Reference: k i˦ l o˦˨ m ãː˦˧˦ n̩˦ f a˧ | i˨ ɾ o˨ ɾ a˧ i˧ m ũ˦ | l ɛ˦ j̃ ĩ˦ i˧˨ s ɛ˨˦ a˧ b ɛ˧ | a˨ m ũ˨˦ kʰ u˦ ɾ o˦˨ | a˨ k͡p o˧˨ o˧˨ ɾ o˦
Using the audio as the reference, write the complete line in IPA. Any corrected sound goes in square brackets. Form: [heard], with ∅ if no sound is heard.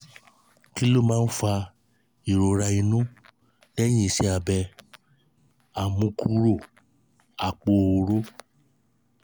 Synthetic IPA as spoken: k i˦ l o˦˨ m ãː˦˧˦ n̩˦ f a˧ | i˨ ɾ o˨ ɾ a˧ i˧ [n] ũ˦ | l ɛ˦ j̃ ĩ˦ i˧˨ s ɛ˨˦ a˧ b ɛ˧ | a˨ m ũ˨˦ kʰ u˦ ɾ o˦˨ | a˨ k͡p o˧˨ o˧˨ ɾ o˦